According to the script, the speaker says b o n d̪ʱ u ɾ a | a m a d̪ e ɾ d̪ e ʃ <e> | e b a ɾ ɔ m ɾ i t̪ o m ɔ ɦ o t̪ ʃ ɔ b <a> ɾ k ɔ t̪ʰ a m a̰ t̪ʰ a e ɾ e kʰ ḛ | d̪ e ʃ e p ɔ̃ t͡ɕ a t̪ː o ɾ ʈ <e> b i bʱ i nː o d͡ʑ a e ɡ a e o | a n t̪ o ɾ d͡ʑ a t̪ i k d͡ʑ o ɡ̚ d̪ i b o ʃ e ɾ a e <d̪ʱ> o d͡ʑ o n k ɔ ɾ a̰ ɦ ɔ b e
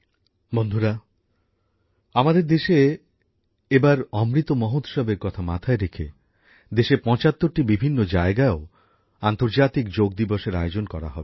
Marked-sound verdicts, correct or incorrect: correct, incorrect: e, incorrect: i, incorrect: none

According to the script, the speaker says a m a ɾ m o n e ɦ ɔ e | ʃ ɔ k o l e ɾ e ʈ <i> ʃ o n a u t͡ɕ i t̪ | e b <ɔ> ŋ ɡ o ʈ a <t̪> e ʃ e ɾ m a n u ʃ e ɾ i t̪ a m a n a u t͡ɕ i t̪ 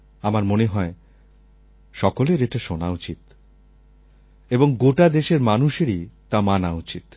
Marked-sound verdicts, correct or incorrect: incorrect: a, incorrect: o, incorrect: d̪

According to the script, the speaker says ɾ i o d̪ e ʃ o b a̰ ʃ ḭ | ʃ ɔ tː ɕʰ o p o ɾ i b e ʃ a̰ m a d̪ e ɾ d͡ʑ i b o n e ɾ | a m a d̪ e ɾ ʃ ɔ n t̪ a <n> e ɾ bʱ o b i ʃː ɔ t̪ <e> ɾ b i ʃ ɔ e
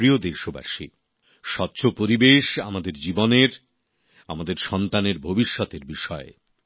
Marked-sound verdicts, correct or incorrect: correct, correct

